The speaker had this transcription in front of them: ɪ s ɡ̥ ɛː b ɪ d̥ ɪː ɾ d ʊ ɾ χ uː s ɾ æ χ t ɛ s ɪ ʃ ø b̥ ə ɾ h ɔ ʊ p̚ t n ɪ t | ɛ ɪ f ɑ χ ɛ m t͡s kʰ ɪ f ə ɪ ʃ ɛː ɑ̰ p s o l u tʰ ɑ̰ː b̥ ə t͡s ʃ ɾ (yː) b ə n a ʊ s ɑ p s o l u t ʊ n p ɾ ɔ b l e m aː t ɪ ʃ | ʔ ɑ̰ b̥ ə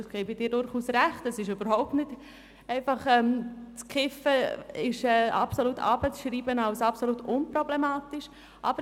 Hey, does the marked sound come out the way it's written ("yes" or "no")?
no